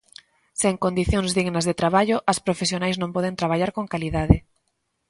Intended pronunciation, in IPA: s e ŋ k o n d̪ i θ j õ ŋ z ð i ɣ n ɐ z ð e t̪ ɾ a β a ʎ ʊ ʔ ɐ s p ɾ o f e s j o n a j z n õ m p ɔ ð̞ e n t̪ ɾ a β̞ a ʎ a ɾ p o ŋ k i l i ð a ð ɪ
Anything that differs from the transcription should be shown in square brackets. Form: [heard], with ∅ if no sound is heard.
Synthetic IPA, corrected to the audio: s e ŋ k o n d̪ i θ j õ ŋ z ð i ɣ n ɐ z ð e t̪ ɾ a β a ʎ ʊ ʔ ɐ s p ɾ o f e s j o n a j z n õ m p ɔ ð̞ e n t̪ ɾ a β̞ a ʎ a ɾ [k] o ŋ k [a] l i ð a ð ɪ